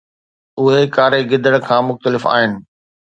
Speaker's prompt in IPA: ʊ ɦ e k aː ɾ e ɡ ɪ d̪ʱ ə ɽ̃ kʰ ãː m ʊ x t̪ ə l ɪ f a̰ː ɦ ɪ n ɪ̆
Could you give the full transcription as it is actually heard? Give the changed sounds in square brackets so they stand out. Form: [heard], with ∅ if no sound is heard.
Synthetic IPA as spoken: ʊ ɦ e k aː ɾ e ɡ ɪ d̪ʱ ə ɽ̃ kʰ ãː m ʊ x t̪ ə l ɪ f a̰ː ɦ ɪ n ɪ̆